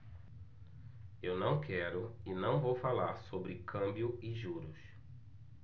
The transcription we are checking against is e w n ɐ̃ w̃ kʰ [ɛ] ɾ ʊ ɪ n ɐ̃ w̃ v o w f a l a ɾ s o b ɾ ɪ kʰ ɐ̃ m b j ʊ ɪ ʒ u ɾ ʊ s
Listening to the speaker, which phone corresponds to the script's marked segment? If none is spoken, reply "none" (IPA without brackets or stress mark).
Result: ɛ